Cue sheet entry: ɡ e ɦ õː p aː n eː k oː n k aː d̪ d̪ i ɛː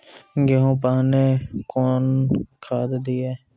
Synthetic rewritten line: ɡ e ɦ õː p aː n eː k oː n kʰ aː d̪ d̪ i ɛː